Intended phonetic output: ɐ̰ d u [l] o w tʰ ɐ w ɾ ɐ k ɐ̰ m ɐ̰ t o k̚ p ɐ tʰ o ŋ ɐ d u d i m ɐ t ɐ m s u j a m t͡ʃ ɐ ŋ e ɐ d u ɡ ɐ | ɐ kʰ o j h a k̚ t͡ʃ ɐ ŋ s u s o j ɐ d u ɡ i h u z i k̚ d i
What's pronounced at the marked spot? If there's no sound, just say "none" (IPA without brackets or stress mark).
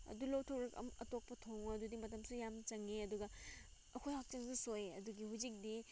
l